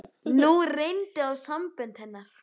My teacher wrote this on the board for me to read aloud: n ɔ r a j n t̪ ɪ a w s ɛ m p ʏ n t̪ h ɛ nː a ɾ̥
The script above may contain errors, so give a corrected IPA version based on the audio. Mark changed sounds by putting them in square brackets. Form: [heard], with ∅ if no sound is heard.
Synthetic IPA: n [u] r [e] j n t̪ ɪ a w s [a] m p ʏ n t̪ h ɛ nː a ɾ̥